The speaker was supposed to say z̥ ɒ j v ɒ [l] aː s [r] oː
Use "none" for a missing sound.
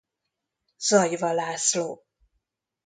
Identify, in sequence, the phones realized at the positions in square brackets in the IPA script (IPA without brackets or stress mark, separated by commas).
l, l